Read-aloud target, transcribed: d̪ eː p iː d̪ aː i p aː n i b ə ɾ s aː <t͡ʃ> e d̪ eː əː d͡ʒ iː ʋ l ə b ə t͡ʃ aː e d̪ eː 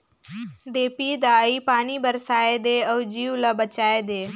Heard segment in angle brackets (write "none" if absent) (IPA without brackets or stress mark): none